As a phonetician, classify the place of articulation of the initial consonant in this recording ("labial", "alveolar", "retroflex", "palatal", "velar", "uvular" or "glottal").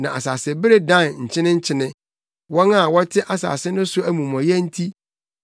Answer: alveolar